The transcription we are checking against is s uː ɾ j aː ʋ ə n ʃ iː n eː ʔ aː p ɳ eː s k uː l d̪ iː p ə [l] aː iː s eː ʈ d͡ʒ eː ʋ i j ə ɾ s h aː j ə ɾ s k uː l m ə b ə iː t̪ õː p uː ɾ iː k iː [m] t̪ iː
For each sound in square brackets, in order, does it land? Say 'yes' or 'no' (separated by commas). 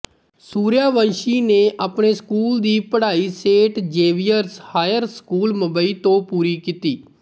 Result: no, no